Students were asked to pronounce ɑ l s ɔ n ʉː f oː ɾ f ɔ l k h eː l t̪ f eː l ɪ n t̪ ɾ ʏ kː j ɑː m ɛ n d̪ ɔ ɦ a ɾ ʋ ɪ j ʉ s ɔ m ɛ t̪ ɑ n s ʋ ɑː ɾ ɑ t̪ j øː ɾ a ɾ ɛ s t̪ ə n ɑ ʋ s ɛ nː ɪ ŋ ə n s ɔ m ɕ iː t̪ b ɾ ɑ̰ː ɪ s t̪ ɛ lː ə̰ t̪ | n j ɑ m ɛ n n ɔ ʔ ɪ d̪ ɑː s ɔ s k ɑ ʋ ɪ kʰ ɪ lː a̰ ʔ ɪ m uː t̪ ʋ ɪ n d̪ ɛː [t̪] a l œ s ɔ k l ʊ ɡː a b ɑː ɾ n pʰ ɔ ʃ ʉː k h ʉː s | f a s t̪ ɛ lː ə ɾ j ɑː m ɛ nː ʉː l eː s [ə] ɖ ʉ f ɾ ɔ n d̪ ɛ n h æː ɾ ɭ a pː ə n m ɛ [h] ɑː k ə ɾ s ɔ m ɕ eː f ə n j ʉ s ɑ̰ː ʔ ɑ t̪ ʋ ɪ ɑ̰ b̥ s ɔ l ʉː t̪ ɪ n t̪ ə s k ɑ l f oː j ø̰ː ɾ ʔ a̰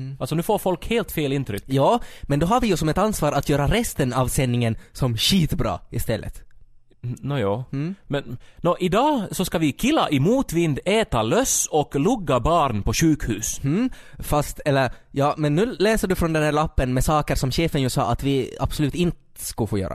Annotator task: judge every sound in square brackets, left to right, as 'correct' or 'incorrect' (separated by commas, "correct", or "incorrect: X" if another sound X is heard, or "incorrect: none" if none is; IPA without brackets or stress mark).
correct, correct, incorrect: s